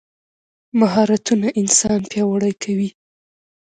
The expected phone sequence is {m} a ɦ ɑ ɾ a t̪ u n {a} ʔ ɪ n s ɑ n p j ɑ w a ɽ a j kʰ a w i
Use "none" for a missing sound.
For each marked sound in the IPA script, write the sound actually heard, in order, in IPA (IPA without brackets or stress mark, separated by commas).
m, a